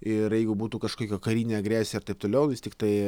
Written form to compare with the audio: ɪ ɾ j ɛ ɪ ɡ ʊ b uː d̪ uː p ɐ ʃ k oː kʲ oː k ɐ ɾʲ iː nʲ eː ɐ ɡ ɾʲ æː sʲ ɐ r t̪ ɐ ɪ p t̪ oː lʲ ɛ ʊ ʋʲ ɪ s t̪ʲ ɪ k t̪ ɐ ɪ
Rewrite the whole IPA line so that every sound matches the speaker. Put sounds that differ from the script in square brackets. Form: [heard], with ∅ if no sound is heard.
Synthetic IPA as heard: ɪ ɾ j ɛ ɪ ɡ ʊ b uː [t̪] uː [k] ɐ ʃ k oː kʲ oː k ɐ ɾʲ iː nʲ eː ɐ ɡ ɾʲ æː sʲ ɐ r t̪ ɐ ɪ p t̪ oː lʲ ɛ ʊ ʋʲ ɪ s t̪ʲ ɪ k t̪ ɐ ɪ